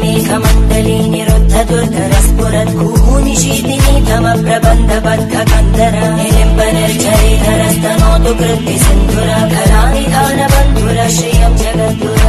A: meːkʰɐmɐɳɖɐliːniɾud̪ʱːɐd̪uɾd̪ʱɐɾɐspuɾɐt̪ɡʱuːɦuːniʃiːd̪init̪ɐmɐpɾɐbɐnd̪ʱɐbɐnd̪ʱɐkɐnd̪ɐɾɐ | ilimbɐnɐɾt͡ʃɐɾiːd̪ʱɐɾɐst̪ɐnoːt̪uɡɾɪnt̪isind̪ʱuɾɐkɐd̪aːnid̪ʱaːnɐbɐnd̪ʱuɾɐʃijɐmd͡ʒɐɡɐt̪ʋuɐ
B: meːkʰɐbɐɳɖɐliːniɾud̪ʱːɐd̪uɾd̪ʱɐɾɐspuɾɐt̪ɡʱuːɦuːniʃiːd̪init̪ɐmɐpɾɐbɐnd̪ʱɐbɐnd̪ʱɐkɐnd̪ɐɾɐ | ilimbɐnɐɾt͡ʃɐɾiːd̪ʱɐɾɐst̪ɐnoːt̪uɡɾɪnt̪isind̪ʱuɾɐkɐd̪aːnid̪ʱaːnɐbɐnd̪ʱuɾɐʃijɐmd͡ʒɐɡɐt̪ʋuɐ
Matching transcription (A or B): A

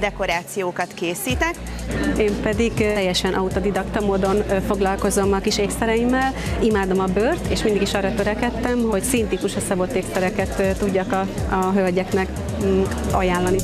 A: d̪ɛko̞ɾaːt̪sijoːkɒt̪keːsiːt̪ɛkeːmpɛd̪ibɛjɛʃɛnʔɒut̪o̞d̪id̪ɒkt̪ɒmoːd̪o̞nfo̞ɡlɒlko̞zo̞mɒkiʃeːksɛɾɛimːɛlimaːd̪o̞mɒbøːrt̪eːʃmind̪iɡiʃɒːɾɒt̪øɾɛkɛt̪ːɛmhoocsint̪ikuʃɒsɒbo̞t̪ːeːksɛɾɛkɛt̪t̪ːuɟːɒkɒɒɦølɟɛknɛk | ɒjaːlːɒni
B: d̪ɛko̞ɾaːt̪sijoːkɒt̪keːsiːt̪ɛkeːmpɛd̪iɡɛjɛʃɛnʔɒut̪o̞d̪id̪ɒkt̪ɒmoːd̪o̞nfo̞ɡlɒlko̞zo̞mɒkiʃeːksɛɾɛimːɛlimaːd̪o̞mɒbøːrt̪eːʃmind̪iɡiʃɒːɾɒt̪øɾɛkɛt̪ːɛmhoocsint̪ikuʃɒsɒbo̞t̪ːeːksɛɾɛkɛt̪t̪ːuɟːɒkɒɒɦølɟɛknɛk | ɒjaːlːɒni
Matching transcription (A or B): B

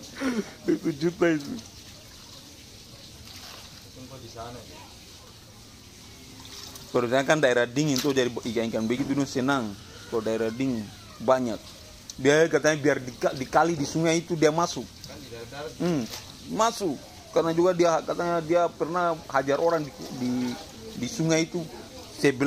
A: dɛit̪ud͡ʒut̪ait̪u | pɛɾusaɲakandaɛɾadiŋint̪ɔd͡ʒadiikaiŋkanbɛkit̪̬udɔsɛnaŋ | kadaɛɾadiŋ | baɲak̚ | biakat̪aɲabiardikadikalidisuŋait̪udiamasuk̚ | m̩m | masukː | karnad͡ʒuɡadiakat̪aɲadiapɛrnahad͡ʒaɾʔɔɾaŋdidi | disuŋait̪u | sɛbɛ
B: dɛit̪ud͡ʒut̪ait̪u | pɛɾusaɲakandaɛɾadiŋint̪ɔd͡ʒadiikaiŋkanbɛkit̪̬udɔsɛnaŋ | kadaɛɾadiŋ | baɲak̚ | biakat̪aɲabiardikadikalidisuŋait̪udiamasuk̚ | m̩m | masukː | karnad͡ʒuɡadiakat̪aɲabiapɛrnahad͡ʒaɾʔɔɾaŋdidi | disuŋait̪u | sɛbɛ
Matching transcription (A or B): A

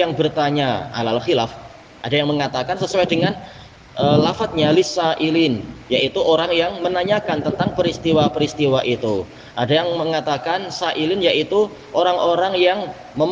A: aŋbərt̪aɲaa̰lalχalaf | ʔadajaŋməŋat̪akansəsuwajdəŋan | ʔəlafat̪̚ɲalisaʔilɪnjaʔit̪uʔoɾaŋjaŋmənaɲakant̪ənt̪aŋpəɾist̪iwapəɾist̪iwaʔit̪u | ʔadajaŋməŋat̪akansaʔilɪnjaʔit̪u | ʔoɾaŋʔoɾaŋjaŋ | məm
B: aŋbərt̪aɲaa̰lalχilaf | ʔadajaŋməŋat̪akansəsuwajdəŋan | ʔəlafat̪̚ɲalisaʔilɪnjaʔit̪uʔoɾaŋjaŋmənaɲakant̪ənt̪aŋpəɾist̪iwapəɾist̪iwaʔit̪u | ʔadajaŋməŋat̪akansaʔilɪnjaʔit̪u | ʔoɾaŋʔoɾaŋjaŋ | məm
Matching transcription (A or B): B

